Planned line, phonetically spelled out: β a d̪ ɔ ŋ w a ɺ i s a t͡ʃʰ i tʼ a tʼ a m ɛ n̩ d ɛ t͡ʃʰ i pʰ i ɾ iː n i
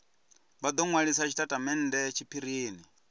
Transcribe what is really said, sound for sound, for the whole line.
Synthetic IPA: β a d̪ ɔ ŋ w a ɺ i s a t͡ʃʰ i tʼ a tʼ a m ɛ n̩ d ɛ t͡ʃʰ i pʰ i ɾ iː n i